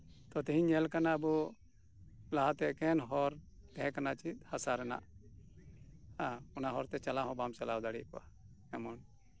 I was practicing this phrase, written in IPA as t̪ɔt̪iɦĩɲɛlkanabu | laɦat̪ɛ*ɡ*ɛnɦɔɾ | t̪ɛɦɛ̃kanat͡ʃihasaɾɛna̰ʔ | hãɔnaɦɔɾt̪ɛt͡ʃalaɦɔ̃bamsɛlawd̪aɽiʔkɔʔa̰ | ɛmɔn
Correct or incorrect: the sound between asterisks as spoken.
incorrect: k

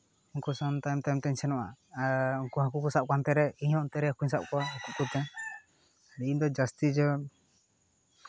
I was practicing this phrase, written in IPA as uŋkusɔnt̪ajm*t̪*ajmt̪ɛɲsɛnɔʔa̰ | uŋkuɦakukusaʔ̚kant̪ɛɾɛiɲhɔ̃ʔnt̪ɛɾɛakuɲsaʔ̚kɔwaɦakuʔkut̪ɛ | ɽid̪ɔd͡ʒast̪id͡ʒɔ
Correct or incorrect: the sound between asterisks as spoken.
correct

